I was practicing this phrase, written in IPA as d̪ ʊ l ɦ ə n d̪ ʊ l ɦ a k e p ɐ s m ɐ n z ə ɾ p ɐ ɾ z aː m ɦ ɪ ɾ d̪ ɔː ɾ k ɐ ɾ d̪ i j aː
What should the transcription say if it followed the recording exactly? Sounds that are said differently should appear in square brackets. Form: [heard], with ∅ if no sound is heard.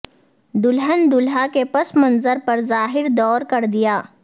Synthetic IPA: d̪ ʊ l ɦ ə n d̪ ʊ l ɦ a k e p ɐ s m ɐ n z ə ɾ p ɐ ɾ z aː [∅] ɦ ɪ ɾ d̪ ɔː ɾ k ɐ ɾ d̪ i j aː